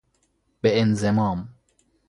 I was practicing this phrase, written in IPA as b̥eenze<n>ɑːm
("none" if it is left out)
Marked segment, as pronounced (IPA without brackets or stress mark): m